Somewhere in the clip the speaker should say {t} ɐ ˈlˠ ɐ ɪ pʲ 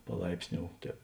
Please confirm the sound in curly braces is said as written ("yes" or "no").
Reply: no